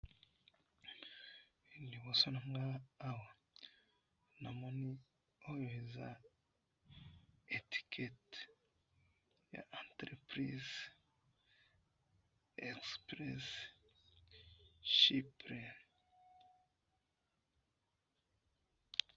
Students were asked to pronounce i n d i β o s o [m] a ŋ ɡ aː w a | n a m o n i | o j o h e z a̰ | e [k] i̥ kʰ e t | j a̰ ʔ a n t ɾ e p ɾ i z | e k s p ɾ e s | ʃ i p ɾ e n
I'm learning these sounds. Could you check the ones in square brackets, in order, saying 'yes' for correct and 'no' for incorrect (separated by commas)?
no, no